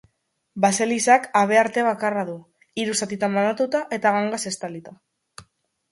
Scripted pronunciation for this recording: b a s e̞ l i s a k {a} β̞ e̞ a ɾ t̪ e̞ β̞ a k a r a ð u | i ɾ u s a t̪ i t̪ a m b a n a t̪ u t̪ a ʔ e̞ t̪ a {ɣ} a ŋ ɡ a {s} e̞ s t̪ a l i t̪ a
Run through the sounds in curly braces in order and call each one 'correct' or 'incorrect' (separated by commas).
correct, correct, correct